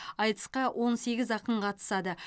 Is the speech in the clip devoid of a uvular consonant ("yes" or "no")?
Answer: no